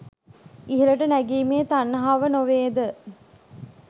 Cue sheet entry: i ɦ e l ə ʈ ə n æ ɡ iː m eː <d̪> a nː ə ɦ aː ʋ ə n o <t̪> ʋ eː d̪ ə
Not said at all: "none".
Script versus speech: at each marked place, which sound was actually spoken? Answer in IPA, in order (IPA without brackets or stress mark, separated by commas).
t̪, none